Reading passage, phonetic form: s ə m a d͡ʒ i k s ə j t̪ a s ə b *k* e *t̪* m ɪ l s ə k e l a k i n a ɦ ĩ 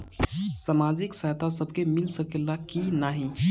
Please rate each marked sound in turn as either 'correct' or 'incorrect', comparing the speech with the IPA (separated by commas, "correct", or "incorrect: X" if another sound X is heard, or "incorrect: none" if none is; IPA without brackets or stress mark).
correct, incorrect: none